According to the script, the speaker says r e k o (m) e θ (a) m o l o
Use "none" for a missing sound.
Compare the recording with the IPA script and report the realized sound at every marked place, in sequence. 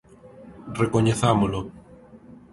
ɲ, a

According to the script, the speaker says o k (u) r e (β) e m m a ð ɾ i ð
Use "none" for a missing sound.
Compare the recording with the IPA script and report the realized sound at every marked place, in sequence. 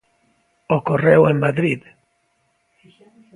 o, w

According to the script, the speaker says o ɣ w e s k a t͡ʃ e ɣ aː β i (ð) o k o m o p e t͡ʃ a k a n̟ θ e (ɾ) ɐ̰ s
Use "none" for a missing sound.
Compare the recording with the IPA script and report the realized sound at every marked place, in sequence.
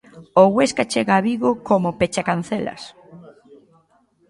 ɣ, l

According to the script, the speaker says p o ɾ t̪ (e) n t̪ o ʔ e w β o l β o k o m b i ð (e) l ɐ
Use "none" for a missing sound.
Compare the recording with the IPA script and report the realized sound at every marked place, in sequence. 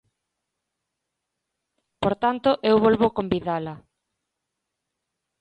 a, a

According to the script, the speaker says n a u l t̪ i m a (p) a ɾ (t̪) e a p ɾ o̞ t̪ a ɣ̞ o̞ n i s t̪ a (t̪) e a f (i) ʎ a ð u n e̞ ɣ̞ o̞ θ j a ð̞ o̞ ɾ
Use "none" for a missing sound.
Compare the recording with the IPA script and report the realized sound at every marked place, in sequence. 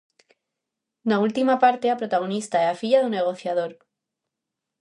p, t̪, none, i

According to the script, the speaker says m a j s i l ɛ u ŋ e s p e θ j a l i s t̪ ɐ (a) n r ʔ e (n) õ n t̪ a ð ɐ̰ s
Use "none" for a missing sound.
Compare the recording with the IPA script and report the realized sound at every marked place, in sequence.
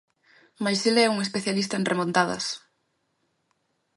e, m

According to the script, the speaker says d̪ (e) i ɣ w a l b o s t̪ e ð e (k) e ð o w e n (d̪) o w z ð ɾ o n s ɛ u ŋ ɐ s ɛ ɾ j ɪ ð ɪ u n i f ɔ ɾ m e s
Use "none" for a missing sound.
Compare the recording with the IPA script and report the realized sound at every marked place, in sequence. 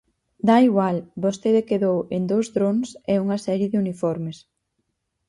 a, k, d̪

